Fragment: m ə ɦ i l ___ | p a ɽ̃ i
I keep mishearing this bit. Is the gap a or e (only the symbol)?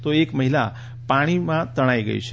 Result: a